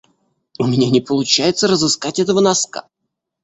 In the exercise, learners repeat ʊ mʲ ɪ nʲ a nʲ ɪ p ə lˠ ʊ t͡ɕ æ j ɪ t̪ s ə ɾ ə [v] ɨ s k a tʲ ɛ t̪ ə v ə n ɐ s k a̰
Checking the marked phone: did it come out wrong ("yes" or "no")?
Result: yes